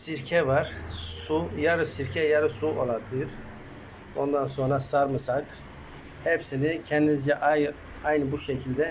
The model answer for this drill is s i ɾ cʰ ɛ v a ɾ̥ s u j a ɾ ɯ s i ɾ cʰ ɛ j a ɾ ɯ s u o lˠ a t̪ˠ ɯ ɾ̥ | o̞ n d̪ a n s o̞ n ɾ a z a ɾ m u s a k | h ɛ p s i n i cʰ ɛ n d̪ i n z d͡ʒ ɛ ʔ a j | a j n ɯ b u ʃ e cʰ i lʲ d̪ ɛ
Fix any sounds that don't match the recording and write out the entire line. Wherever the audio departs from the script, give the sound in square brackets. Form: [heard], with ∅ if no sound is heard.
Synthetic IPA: s i ɾ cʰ ɛ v a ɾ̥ s u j a ɾ ɯ s i ɾ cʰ ɛ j a ɾ ɯ s u o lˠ a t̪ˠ ɯ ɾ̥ | o̞ n d̪ a n s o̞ n ɾ a [s] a ɾ m [ɯ] s a k | h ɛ p s i n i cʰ ɛ n d̪ i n z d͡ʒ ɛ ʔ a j | a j n ɯ b u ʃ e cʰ i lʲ d̪ ɛ